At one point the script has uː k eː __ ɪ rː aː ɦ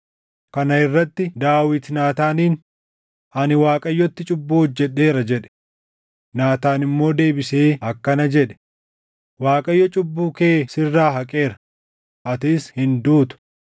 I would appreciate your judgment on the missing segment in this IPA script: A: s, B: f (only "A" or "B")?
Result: A